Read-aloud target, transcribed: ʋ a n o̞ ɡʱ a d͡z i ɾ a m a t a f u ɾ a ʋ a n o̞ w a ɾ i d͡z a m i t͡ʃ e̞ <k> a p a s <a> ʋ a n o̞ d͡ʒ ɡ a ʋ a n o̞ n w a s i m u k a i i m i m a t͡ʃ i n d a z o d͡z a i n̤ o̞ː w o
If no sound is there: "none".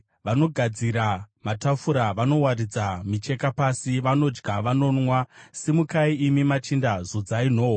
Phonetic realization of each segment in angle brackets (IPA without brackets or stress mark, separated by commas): k, i